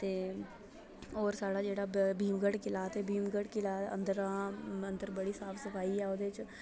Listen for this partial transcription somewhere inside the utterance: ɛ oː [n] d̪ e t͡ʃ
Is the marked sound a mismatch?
yes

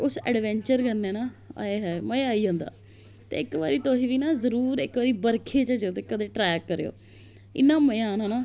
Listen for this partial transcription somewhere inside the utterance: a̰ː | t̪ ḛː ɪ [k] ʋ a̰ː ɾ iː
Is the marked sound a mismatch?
no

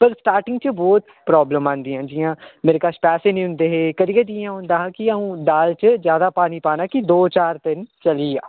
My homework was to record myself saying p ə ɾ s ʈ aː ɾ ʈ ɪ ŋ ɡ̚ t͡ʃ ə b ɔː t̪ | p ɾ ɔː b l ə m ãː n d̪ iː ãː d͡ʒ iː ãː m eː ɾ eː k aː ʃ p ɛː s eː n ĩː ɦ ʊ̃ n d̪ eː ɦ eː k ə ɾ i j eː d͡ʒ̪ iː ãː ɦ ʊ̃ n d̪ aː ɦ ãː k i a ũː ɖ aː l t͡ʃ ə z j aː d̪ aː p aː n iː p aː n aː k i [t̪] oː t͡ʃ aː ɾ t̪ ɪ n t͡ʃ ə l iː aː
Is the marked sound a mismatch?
yes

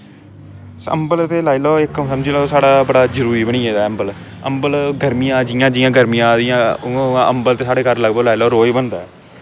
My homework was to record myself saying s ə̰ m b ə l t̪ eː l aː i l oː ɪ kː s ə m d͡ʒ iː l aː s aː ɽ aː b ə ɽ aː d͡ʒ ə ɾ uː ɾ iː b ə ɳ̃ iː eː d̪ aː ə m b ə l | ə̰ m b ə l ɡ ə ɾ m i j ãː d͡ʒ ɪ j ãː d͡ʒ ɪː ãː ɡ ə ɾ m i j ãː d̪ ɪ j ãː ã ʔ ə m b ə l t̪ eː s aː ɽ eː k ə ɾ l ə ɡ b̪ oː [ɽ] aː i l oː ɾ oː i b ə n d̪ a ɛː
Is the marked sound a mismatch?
yes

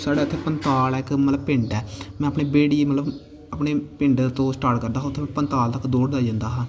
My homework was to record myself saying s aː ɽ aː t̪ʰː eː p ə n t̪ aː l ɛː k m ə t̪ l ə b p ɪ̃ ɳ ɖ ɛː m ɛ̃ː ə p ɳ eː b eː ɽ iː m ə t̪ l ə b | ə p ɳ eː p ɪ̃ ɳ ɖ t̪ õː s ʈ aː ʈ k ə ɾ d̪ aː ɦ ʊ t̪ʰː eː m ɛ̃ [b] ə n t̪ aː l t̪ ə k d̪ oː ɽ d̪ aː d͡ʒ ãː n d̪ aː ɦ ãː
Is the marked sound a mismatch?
yes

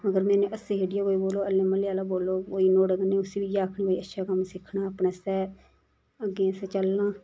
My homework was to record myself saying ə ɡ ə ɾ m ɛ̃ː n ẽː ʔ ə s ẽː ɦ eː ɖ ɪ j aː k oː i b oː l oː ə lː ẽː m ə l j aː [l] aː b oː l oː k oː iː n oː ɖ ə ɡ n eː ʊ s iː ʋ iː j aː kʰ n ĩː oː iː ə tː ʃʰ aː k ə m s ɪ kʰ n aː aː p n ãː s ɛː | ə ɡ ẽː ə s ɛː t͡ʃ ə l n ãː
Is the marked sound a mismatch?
no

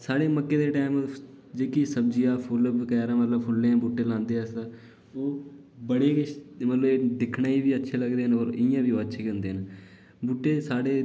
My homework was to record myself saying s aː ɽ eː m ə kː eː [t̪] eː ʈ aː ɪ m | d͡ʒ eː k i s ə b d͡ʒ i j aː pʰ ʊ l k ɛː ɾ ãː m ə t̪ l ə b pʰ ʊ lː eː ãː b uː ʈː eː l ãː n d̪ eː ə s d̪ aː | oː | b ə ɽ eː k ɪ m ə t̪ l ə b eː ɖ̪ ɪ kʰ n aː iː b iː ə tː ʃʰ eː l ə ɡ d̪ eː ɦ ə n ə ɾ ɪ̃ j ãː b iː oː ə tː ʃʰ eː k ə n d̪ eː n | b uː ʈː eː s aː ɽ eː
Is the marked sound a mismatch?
yes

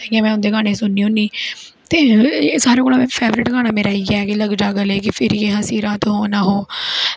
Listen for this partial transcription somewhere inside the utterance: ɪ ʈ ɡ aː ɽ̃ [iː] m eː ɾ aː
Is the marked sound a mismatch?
yes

